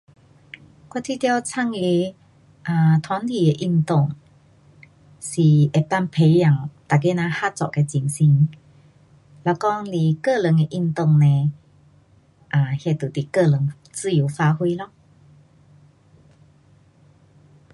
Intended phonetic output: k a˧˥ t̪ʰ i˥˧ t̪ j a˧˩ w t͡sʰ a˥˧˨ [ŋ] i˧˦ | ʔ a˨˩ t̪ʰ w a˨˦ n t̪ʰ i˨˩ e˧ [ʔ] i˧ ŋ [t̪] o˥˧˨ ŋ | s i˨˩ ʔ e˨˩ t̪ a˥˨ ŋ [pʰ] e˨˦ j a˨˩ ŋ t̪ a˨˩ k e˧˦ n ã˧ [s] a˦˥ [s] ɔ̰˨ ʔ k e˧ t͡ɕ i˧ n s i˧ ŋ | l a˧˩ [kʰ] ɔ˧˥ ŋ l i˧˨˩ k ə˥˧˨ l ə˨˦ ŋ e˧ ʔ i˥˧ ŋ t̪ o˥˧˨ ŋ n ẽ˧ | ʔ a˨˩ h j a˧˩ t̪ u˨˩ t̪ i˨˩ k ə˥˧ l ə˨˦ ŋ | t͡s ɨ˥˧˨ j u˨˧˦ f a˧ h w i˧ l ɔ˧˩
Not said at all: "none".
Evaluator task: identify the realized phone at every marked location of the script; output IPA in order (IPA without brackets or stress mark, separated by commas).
ŋ, ʔ, t̪, pʰ, h, t͡s, k